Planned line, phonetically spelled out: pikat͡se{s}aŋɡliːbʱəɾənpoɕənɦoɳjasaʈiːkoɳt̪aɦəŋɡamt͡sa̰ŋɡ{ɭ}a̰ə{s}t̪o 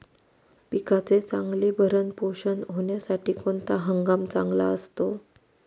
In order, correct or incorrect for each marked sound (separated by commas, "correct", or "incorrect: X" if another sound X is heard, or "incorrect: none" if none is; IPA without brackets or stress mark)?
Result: incorrect: t͡s, incorrect: l, correct